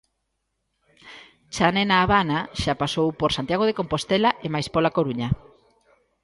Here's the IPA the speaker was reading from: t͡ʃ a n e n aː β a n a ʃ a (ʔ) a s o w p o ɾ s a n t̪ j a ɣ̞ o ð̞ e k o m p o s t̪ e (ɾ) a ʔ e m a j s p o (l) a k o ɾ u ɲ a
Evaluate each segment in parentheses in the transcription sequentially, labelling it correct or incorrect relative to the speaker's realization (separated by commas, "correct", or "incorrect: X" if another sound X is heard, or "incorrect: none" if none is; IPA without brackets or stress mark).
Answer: incorrect: p, incorrect: l, correct